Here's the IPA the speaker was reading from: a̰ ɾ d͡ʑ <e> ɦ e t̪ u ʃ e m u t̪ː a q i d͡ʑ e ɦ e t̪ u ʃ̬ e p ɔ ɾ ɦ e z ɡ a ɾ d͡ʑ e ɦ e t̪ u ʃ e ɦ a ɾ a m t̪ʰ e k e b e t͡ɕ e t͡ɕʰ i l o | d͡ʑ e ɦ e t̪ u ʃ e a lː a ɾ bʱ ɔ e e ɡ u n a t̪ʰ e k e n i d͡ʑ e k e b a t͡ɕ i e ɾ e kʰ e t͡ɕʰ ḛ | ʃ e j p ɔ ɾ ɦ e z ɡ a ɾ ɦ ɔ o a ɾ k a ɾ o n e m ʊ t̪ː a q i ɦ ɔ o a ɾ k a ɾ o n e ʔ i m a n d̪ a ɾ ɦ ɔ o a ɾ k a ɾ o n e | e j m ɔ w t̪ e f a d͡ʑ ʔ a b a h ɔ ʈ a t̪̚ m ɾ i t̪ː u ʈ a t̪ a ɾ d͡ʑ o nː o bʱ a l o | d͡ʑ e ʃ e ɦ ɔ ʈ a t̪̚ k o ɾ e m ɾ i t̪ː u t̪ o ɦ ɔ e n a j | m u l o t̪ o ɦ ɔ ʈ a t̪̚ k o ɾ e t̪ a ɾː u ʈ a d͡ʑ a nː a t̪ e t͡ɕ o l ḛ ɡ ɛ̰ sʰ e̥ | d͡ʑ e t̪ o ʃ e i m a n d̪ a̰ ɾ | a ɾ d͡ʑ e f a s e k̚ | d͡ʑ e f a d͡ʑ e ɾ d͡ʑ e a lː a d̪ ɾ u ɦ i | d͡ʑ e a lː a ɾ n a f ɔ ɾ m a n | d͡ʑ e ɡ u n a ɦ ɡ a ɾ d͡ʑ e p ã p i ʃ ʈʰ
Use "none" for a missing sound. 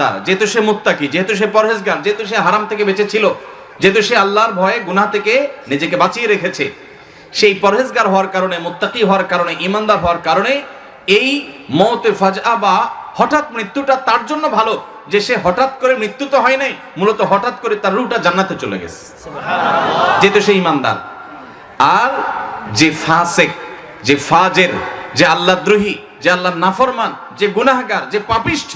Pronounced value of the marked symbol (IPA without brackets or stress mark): e